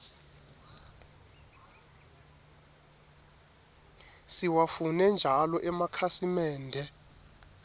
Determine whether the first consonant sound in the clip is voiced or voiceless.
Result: voiceless